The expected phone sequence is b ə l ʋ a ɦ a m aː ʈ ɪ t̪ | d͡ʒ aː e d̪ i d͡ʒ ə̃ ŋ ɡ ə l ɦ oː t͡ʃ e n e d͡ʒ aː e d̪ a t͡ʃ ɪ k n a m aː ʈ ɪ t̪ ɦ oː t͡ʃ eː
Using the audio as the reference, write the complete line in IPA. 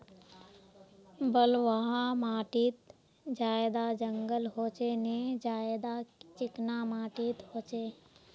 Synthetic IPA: b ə l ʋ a ɦ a m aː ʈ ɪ t̪ | d͡ʒ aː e d̪ a d͡ʒ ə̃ ŋ ɡ ə l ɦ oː t͡ʃ e n e d͡ʒ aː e d̪ a t͡ʃ ɪ k n a m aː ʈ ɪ t̪ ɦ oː t͡ʃ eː